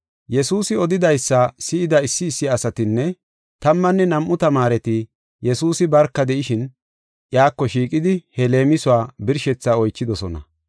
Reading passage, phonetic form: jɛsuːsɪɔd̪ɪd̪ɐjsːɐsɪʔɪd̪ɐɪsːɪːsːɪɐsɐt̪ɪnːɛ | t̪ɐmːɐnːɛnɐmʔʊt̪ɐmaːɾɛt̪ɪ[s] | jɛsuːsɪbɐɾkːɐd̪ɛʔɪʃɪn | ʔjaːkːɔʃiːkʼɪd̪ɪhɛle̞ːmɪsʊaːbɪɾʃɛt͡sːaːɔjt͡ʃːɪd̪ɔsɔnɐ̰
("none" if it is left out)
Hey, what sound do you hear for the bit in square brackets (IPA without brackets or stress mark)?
none